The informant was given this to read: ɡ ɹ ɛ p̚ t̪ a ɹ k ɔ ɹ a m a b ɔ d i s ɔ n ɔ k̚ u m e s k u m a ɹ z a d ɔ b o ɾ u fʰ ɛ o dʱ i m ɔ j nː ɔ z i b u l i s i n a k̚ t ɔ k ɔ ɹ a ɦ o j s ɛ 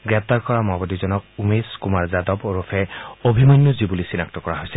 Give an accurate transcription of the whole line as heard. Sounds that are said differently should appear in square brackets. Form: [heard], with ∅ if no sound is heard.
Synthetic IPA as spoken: ɡ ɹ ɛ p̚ t̪ a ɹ k ɔ ɹ a m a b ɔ d i [z] ɔ n ɔ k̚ u m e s k u m a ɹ z a d ɔ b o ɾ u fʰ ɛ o [bʱ] i m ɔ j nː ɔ z i b u l i s i n a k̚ t ɔ k ɔ ɹ a ɦ o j s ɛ